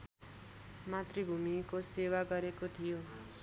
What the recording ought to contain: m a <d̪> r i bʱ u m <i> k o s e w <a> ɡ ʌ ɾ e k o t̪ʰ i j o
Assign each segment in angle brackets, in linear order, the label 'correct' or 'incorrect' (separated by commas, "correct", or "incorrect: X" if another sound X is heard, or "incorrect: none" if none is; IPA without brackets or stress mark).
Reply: incorrect: t̪, correct, correct